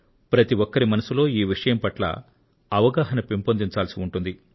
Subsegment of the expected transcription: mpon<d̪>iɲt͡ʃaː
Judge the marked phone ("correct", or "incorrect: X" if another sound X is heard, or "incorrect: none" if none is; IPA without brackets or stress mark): correct